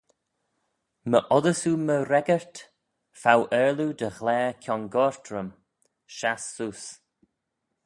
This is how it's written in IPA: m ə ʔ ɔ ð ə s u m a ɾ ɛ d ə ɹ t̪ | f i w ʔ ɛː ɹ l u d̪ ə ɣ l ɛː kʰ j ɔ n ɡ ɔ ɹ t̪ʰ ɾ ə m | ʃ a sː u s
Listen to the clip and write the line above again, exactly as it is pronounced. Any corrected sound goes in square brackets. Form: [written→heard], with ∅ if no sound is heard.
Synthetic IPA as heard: m ə ʔ ɔ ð ə s u m [a→ə] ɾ ɛ [d→ɡ] ə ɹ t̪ | f [i→a] w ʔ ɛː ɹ l u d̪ ə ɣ l ɛː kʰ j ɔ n ɡ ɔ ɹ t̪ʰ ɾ ə m | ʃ a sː u s